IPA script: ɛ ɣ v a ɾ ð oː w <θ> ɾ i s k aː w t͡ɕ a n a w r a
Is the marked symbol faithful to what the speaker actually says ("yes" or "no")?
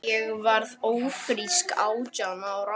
no